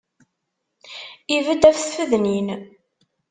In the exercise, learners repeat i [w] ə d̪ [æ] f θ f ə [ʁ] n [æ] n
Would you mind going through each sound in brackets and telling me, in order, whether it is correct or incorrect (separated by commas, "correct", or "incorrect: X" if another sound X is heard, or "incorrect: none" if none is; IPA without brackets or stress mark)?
incorrect: v, correct, incorrect: ð, incorrect: i